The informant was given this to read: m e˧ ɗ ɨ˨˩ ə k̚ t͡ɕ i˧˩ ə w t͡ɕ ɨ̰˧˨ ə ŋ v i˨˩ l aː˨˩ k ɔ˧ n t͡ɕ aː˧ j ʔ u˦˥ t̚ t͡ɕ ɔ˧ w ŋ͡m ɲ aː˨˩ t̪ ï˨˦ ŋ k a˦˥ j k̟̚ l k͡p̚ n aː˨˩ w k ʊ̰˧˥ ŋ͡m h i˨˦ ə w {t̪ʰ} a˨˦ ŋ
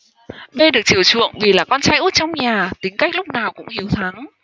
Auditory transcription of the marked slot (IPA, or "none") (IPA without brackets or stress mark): t̪ʰ